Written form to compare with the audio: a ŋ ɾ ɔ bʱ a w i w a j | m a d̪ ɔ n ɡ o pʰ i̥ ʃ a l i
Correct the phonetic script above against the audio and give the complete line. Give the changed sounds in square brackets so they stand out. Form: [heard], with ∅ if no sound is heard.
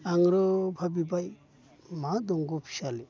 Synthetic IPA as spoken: a ŋ ɾ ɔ bʱ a [b] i [b] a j | m a d̪ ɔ [ŋ] ɡ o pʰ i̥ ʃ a l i